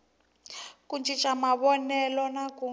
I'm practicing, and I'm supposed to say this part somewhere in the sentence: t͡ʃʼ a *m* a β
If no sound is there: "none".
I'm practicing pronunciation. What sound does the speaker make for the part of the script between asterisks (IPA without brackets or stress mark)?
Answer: m